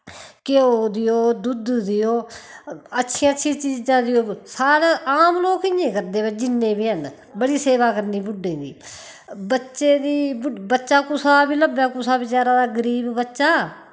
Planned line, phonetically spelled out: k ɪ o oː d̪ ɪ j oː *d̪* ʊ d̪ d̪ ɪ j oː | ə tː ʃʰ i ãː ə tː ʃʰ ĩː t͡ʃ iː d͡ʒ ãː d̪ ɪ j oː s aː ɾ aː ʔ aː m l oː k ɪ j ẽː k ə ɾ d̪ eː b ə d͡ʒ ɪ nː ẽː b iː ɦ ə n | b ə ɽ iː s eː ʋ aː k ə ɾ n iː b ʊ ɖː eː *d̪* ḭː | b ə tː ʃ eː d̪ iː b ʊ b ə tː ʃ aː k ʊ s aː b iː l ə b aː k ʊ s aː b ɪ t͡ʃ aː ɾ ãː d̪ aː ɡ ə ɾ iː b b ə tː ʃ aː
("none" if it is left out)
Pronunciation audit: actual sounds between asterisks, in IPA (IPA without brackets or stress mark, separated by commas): d̪, d̪